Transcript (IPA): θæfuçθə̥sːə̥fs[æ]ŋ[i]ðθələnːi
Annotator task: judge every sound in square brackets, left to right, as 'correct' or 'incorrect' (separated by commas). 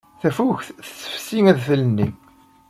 incorrect, incorrect